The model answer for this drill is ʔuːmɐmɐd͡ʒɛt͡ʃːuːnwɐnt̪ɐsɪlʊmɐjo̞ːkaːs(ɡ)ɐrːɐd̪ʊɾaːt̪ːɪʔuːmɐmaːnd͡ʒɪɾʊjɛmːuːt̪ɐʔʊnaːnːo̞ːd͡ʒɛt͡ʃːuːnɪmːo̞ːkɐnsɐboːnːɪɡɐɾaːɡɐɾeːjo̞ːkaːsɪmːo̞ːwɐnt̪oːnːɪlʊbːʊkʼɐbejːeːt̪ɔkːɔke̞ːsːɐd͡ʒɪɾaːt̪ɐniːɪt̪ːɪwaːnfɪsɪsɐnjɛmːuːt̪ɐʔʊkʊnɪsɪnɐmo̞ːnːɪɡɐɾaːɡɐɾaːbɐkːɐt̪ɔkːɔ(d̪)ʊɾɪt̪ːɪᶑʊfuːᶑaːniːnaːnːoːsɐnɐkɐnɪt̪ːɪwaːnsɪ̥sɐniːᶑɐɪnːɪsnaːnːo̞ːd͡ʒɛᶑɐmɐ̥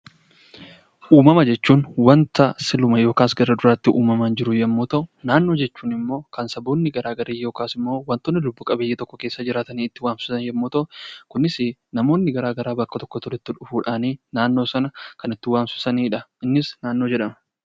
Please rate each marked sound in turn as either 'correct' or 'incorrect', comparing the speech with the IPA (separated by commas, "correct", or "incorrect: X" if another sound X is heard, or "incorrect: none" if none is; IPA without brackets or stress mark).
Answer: correct, incorrect: t̪